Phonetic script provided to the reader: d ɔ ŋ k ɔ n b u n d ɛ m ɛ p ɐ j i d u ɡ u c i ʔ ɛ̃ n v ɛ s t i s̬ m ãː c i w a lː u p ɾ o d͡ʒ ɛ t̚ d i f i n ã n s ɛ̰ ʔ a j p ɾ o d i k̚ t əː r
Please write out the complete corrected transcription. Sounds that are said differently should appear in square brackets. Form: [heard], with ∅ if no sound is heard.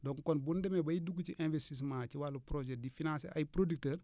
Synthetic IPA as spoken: d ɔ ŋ k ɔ n b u n d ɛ m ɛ [b] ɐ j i d u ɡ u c i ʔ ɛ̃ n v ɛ s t i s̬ m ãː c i w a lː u p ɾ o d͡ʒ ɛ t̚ d i f i n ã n s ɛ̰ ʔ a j p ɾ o d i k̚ t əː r